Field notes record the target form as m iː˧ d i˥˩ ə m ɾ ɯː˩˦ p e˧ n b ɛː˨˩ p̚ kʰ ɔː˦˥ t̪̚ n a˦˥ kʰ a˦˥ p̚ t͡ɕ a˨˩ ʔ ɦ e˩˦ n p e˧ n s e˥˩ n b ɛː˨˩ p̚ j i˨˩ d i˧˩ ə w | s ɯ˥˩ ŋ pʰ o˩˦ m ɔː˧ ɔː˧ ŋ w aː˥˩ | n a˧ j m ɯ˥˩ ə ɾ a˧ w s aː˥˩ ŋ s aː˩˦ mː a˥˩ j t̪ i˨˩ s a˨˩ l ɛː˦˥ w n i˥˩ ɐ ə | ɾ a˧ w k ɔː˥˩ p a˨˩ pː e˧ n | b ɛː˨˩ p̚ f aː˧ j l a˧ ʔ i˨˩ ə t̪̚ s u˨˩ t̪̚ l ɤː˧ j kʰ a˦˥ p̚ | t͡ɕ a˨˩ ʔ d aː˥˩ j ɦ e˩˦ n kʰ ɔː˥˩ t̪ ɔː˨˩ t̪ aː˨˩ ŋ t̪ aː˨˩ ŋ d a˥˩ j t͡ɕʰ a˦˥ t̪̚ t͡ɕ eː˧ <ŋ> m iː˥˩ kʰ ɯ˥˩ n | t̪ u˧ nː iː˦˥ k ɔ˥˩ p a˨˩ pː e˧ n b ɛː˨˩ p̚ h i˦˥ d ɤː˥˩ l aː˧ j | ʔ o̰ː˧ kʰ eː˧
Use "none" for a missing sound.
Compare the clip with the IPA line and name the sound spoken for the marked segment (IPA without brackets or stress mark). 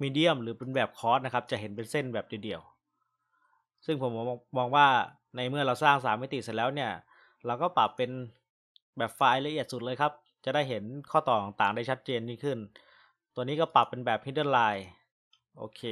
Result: n